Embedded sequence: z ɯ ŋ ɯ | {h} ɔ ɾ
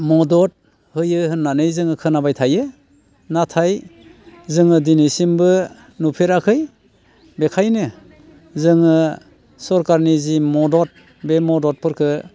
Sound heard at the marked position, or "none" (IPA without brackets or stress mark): s